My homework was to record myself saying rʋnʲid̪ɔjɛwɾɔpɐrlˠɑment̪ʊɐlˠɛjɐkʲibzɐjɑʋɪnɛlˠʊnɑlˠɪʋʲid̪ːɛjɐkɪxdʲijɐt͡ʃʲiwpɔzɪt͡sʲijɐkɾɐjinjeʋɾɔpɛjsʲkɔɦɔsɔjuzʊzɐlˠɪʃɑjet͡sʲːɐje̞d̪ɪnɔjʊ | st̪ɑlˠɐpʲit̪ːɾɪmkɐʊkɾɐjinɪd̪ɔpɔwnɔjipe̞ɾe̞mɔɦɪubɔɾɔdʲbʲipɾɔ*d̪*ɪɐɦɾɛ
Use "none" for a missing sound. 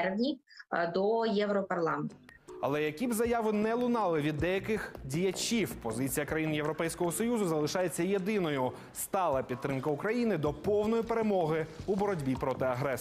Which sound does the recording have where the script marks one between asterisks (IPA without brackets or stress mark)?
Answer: t̪